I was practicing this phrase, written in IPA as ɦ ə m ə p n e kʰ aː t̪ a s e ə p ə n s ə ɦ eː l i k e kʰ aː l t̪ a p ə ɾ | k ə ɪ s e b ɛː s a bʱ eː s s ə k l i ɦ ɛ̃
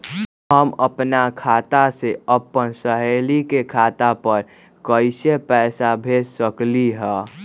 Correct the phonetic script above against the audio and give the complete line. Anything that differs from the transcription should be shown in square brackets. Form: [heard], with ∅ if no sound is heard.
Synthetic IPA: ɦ ə m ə p n [a] kʰ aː t̪ a s e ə p ə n s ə ɦ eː l i k e kʰ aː [∅] t̪ a p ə ɾ | k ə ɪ s e [p] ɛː s a bʱ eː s s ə k l i ɦ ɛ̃